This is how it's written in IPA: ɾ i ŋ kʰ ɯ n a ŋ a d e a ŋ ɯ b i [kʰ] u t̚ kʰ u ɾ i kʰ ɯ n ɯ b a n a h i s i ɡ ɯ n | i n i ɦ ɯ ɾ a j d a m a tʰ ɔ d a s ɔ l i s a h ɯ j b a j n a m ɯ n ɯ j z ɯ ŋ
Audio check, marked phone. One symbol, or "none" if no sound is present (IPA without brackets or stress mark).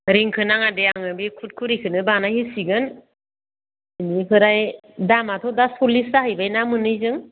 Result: kʰ